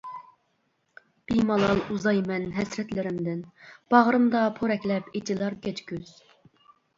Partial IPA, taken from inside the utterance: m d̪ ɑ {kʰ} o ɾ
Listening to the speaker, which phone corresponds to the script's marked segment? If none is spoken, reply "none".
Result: pʰ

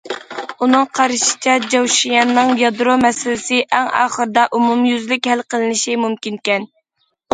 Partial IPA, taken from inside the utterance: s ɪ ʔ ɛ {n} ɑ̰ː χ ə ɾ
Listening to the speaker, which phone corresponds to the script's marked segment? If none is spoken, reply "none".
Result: ŋ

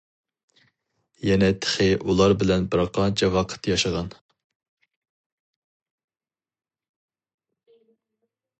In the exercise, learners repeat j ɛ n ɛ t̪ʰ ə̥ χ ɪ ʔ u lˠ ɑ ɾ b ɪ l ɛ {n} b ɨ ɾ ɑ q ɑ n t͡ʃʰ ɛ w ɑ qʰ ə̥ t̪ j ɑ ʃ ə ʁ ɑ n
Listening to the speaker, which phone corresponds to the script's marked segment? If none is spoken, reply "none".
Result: n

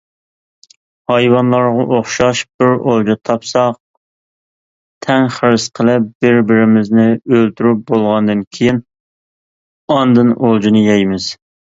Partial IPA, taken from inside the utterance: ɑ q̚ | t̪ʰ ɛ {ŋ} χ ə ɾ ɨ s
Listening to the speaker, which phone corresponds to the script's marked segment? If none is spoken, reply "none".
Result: ŋ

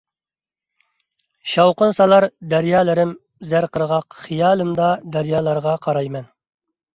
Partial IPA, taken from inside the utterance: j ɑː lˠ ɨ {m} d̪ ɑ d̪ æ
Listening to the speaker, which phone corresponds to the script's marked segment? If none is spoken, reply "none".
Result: m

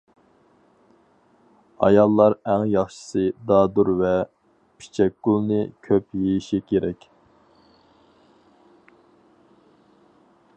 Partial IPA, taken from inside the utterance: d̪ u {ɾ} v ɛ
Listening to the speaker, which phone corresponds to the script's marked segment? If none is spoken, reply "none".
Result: ɾ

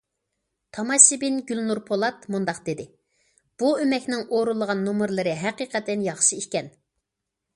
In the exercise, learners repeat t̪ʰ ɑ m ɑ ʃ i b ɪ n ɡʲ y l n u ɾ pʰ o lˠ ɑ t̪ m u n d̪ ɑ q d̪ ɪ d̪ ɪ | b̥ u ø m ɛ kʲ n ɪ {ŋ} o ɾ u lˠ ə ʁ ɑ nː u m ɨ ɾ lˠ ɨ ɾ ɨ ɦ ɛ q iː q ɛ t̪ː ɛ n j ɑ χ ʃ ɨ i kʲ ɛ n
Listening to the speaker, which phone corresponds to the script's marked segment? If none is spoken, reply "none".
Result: ŋ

